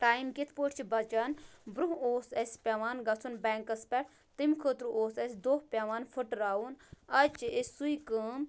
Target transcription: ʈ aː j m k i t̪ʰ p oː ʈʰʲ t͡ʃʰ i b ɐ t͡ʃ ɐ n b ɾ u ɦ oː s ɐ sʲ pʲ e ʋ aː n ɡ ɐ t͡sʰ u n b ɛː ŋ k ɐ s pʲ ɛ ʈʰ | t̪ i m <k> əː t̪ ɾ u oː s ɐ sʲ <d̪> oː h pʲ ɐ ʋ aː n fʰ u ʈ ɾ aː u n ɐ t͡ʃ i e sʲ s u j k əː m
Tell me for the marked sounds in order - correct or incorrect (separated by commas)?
incorrect, correct